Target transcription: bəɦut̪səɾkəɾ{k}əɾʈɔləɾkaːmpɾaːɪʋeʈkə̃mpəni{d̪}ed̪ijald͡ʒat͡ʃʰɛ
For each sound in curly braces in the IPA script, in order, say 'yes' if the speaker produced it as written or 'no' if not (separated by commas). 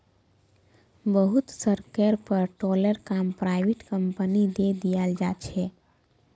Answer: no, yes